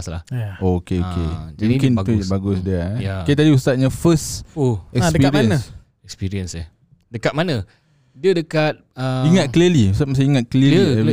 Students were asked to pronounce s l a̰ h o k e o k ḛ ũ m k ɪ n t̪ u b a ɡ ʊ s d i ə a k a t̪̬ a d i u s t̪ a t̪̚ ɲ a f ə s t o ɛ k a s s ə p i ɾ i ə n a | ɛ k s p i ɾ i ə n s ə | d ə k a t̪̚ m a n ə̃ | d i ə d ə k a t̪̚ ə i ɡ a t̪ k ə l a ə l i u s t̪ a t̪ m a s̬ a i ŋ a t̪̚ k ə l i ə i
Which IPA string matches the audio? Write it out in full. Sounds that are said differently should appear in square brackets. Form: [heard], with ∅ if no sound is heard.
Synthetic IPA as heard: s l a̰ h o k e o k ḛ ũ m k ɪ n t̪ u b a ɡ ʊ s d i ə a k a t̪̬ a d i u s t̪ a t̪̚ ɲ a f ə s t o ɛ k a s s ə p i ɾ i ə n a | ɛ k s p i ɾ i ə n s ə | d ə k a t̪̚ m a n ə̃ | d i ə d ə k a t̪̚ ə i [ŋ] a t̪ k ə l [i] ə l i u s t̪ a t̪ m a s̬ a i ŋ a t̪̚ k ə l i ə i